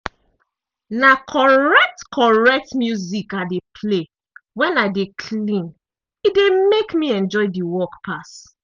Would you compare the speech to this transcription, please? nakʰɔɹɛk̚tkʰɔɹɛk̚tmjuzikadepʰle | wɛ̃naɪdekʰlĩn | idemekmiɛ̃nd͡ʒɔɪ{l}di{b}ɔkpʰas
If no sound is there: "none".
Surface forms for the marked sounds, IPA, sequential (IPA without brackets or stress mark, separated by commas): none, w